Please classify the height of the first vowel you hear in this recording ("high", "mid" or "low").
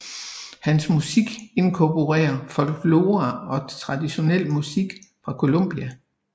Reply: low